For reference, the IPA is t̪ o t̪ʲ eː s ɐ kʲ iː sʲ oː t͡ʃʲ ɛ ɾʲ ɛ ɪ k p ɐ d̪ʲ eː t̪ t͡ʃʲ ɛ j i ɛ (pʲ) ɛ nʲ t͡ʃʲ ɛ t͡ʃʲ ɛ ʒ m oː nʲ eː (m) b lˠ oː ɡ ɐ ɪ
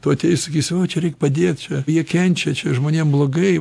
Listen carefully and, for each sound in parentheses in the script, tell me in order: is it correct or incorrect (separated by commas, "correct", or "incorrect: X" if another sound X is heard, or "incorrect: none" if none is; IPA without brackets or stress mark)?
incorrect: kʲ, correct